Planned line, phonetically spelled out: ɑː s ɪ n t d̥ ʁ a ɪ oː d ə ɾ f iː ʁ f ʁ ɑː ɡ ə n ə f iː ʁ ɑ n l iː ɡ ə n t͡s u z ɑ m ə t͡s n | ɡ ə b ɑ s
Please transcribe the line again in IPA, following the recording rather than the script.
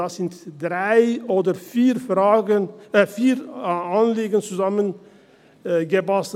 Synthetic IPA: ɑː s ɪ n t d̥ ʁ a ɪ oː d ə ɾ f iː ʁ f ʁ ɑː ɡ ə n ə f iː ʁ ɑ n l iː ɡ ə n t͡s u z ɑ m ə n | ɡ ə b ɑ s